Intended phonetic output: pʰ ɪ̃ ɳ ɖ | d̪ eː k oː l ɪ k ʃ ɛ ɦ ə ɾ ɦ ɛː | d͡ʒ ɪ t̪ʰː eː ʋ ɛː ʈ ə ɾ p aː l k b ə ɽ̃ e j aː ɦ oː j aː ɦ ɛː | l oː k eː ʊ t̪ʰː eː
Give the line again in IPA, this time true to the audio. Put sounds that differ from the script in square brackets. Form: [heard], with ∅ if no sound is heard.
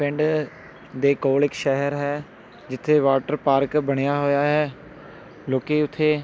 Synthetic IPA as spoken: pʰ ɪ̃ ɳ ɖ | d̪ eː k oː l ɪ k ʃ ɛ ɦ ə ɾ ɦ ɛː | d͡ʒ ɪ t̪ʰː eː ʋ [aː] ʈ ə ɾ p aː [ɾ] k b ə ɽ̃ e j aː ɦ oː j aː ɦ ɛː | l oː k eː ʊ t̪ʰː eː